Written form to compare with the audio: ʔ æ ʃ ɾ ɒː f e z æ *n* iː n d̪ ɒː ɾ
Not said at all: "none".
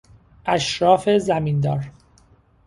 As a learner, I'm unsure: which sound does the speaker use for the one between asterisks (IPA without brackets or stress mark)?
m